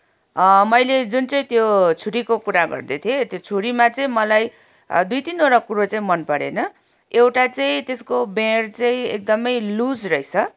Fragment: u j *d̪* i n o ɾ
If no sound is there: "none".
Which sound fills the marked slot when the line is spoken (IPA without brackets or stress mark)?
t̪